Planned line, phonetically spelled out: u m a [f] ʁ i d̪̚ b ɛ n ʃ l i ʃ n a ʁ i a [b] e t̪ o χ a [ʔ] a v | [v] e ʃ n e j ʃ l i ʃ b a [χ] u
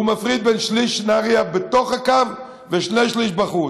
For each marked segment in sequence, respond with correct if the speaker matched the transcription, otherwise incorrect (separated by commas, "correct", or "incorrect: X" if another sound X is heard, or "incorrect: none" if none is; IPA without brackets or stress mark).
correct, correct, incorrect: k, correct, correct